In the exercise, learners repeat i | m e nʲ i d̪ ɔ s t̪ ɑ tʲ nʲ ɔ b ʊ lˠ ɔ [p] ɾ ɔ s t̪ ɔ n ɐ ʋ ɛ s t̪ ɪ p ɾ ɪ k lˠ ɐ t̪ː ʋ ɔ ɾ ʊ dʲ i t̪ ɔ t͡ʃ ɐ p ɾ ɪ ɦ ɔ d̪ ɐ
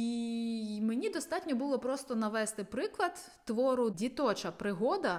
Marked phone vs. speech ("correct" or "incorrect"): correct